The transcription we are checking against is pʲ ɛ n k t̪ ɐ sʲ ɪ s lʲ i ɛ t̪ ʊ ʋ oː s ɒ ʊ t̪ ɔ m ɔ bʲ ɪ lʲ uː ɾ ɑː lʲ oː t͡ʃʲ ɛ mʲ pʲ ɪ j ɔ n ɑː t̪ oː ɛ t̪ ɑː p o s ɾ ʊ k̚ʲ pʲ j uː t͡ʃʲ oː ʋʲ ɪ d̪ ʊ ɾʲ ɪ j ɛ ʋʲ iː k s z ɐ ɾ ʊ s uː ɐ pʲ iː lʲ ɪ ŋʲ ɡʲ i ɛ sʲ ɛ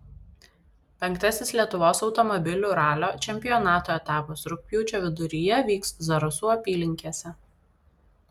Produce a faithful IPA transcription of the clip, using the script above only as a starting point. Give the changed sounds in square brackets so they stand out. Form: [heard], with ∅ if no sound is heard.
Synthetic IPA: pʲ ɛ [ŋ] k t̪ ɐ sʲ ɪ s lʲ i ɛ t̪ ʊ ʋ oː s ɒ ʊ t̪ ɔ m ɔ bʲ ɪ lʲ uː ɾ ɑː lʲ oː t͡ʃʲ ɛ mʲ pʲ ɪ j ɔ n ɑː t̪ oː ɛ t̪ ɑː p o s ɾ ʊ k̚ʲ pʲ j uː t͡ʃʲ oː ʋʲ ɪ d̪ ʊ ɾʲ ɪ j ɛ ʋʲ iː k s z ɐ ɾ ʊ s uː ɐ pʲ iː lʲ ɪ ŋʲ [kʲ] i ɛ sʲ ɛ